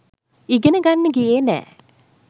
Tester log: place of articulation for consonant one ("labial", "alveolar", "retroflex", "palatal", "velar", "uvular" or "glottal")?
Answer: velar